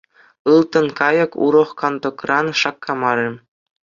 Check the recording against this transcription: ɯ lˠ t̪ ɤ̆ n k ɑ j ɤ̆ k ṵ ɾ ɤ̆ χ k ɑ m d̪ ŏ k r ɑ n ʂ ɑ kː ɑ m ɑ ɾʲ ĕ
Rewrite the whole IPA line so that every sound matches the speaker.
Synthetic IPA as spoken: ɯ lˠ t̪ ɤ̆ n k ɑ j ɤ̆ k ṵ ɾ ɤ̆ χ k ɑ n d̪ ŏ k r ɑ n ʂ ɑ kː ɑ m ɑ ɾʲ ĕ